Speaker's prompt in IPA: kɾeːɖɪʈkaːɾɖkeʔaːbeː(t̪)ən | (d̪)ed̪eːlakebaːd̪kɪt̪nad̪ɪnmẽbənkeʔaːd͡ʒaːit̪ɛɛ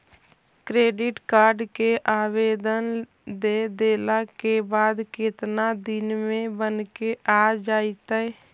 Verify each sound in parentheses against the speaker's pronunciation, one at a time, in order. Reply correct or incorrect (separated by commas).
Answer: incorrect, correct